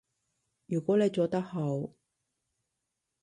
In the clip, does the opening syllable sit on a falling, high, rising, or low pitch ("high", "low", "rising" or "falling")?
low